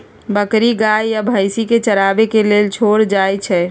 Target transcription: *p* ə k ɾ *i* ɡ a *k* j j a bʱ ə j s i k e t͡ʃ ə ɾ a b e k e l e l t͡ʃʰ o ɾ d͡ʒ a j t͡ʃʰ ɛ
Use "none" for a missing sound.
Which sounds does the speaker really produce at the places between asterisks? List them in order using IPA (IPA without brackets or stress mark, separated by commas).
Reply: b, i, none